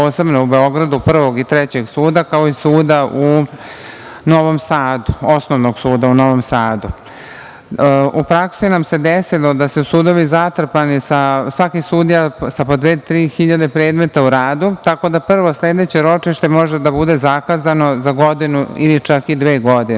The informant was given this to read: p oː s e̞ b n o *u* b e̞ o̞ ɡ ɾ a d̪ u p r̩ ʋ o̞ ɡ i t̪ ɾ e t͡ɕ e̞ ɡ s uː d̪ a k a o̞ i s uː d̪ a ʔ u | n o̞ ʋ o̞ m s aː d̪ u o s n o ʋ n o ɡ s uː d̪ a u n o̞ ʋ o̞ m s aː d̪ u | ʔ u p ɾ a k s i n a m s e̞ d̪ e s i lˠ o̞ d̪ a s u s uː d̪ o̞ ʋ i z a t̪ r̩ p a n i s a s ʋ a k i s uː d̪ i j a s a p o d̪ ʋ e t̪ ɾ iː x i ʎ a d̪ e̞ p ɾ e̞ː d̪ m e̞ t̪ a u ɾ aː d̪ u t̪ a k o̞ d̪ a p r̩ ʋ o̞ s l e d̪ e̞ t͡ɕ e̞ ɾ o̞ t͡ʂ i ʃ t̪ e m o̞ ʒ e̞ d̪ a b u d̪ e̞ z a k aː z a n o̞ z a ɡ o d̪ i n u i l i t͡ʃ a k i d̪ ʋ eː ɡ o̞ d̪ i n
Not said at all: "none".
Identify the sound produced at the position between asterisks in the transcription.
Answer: u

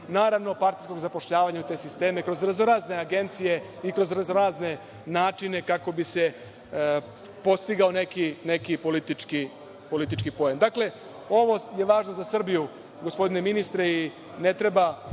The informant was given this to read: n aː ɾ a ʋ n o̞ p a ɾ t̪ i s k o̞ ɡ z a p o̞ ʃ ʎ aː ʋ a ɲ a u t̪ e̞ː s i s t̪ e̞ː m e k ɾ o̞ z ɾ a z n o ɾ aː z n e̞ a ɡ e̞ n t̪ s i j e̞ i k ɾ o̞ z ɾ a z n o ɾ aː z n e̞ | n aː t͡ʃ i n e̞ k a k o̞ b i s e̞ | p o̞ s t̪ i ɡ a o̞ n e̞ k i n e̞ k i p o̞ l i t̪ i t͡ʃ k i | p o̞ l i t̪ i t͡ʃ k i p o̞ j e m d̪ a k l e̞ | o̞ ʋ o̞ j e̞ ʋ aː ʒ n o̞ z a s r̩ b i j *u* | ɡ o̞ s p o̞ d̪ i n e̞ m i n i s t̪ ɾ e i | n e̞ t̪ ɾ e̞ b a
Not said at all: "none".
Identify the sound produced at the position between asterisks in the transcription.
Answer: u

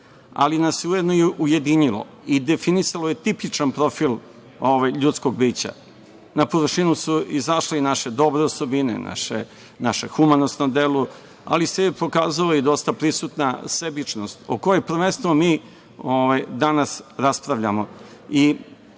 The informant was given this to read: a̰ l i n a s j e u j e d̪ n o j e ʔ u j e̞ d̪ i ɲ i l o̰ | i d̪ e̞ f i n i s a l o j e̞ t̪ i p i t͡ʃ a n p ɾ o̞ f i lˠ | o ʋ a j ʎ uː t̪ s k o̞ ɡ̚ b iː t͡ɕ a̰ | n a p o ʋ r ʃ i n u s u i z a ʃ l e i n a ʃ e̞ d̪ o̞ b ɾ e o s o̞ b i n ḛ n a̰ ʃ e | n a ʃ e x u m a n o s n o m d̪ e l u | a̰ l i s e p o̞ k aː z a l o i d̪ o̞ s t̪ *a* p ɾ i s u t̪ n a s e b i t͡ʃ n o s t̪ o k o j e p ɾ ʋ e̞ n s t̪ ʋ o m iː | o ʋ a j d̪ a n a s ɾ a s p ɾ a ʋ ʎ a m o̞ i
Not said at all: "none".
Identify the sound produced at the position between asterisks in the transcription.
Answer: a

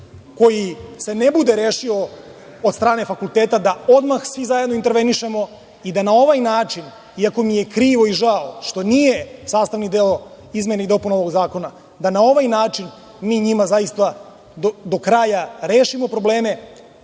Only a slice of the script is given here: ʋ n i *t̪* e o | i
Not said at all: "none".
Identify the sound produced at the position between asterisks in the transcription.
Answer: d̪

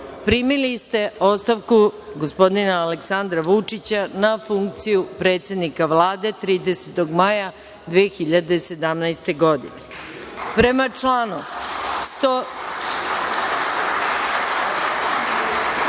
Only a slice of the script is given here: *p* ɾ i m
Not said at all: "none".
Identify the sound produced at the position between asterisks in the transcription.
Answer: p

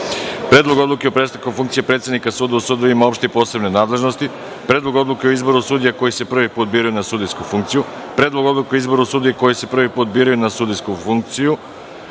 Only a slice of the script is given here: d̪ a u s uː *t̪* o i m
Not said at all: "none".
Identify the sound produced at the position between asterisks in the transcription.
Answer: d̪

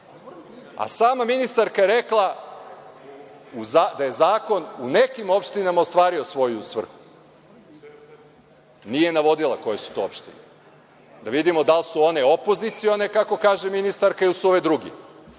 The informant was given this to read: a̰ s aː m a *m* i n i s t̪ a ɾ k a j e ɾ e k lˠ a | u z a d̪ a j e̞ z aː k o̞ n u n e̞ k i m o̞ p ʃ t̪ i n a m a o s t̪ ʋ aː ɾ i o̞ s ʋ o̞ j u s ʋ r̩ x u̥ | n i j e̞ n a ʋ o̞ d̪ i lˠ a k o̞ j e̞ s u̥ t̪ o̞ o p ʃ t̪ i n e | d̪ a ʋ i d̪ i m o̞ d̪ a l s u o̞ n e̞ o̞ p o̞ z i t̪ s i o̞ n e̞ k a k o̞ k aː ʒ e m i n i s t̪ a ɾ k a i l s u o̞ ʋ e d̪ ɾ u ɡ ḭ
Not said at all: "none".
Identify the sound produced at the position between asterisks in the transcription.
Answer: m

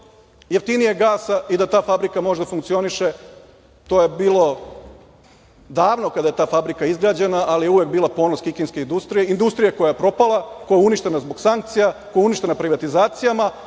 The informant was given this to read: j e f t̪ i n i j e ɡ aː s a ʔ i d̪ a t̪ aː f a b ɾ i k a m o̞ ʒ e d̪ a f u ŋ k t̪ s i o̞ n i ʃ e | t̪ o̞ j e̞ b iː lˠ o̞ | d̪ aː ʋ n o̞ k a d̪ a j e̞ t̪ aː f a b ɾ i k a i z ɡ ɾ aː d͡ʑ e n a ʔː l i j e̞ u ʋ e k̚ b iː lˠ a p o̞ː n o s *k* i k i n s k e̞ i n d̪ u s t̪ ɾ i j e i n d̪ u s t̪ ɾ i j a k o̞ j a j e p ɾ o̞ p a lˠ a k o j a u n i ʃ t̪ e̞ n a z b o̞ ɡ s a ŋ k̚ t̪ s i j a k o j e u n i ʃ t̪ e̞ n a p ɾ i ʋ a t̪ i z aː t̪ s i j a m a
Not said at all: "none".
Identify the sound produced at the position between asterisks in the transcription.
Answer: k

